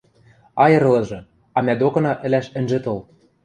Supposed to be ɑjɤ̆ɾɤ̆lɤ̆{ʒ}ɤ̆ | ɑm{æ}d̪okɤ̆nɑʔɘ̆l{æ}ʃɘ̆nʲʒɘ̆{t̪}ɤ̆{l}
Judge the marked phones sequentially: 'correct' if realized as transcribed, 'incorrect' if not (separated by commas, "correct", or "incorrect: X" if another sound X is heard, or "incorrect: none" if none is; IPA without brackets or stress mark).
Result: correct, correct, correct, correct, correct